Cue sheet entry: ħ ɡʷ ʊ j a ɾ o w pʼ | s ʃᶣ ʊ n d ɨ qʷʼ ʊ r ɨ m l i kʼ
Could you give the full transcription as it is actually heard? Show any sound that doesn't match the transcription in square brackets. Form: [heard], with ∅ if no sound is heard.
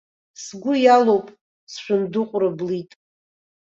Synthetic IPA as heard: [s] ɡʷ ʊ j a [l] o w pʼ | s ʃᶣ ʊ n d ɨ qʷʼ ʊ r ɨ [b] l i [tʼ]